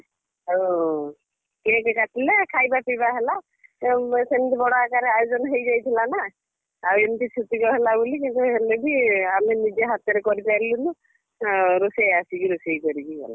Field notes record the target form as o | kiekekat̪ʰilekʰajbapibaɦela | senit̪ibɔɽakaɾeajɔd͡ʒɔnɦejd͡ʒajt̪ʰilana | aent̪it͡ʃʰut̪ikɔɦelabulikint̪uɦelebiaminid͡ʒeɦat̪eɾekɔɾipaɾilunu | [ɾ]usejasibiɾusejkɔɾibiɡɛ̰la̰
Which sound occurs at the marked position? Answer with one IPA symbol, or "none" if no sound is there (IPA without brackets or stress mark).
ɾ